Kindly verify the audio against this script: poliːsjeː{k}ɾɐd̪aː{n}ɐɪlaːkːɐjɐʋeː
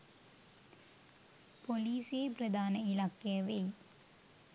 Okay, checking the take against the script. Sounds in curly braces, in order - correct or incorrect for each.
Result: incorrect, correct

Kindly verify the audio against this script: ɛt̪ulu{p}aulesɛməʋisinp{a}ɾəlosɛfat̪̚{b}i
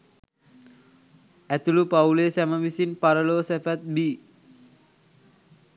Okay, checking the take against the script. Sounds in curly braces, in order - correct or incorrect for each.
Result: correct, correct, correct

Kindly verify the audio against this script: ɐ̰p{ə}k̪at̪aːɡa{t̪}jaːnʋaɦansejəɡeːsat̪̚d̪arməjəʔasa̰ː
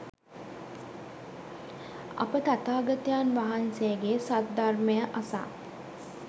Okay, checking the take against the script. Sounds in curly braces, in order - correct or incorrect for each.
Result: correct, correct

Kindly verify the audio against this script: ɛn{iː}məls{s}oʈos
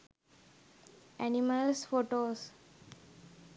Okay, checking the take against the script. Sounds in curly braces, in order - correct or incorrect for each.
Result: incorrect, incorrect

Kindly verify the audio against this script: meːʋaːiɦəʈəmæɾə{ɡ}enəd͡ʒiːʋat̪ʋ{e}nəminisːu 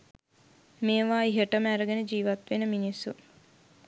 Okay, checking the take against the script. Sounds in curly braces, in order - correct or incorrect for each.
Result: correct, correct

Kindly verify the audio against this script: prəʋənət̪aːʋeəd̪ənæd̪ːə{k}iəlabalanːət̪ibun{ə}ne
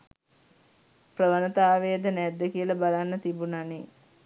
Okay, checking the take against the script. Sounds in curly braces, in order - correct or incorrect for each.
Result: correct, incorrect

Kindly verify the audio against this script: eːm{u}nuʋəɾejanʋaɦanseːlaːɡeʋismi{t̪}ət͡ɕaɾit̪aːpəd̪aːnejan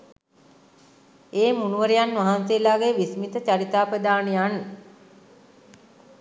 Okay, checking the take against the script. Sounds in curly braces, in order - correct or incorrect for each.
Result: correct, correct

